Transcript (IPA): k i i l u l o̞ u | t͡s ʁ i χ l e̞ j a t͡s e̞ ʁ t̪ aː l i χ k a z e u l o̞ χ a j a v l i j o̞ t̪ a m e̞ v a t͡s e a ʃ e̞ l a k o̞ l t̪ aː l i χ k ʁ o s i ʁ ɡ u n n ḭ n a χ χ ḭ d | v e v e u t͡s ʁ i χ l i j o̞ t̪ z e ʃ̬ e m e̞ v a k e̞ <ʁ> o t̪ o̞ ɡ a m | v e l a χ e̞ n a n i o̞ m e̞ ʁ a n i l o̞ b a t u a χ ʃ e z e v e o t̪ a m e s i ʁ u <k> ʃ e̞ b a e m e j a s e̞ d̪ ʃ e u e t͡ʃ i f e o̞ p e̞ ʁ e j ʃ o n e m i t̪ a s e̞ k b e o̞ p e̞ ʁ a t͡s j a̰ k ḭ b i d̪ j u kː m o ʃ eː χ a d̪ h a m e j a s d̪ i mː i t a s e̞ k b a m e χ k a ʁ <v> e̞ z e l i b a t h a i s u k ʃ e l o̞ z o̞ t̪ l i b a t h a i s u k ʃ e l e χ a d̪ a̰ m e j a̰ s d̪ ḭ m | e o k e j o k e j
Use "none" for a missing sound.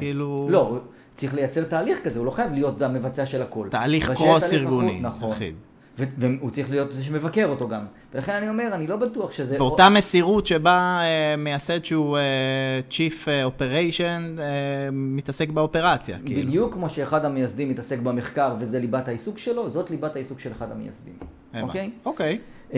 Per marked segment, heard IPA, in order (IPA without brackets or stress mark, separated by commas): ʁ, t, v